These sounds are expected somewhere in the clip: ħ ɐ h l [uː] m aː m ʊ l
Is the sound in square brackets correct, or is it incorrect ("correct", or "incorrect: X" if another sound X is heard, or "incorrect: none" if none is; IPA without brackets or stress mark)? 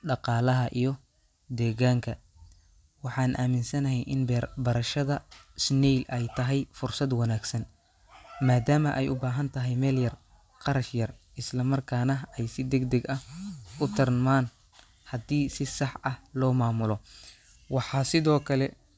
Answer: incorrect: ɔː